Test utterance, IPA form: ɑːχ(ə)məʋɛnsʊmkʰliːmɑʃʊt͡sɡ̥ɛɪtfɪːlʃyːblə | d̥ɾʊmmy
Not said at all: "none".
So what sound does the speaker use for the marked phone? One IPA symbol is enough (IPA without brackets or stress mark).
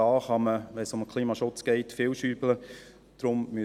ɑ